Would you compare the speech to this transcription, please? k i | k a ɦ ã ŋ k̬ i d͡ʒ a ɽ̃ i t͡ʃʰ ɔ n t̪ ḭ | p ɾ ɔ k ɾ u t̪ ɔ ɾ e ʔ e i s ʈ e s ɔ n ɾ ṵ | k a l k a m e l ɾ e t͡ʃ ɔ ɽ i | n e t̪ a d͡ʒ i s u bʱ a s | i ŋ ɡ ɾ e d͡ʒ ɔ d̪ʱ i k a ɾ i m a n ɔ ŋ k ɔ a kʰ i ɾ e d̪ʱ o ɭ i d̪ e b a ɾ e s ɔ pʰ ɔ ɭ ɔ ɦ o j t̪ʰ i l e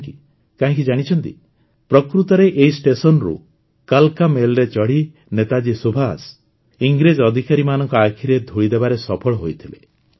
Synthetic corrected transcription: k i | k a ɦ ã ŋ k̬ i d͡ʒ a ɽ̃ i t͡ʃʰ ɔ n t̪ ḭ | p ɾ ɔ k ɾ u t̪ ɔ ɾ e ʔ e i s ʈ e s ɔ n ɾ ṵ | k a l k a m e l ɾ e t͡ʃ ɔ ɽ i | n e t̪ a d͡ʒ i s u bʱ a s | i ŋ ɡ ɾ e d͡ʒ ɔ d̪ʱ i k a ɾ i m a n ɔ ŋ k ɔ a kʰ i ɾ e d̪ʱ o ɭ i d̪ e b a ɾ e s ɔ pʰ ɔ ɭ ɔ ɦ o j t̪ʰ i l e

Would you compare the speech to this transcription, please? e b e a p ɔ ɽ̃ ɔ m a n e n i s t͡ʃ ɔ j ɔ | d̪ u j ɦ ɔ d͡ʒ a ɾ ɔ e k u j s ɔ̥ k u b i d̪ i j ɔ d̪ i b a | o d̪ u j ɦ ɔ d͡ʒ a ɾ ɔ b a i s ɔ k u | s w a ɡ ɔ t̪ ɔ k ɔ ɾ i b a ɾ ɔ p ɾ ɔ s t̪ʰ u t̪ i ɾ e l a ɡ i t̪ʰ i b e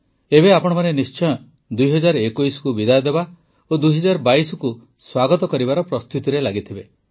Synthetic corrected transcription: e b e a p ɔ ɽ̃ ɔ m a n e n i s t͡ʃ ɔ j ɔ | d̪ u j ɦ ɔ d͡ʒ a ɾ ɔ e k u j s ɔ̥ k u b i d̪ a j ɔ d̪ e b a | o d̪ u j ɦ ɔ d͡ʒ a ɾ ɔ b a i s ɔ k u | s w a ɡ ɔ t̪ ɔ k ɔ ɾ i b a ɾ ɔ p ɾ ɔ s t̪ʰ u t̪ i ɾ e l a ɡ i t̪ʰ i b e

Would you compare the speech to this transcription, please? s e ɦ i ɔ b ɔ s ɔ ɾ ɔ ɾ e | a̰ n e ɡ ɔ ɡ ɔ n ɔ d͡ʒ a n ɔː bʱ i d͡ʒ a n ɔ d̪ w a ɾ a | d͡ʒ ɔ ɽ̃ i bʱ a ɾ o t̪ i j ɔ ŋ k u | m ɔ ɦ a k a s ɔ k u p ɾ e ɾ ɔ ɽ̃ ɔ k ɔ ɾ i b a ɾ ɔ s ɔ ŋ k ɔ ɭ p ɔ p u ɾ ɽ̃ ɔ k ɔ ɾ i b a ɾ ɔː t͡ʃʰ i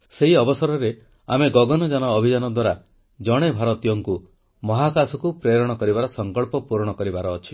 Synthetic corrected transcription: s e ɦ i ɔ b ɔ s ɔ ɾ ɔ ɾ e | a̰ m e ɡ ɔ ɡ ɔ n ɔ d͡ʒ a n ɔː bʱ i d͡ʒ a n ɔ d̪ w a ɾ a | d͡ʒ ɔ ɽ̃ e bʱ a ɾ ɔ t̪ i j ɔ ŋ k u | m ɔ ɦ a k a s ɔ k u p ɾ e ɾ ɔ ɽ̃ ɔ k ɔ ɾ i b a ɾ ɔ s ɔ ŋ k ɔ ɭ p ɔ p u ɾ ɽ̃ ɔ k ɔ ɾ i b a ɾ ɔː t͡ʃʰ i

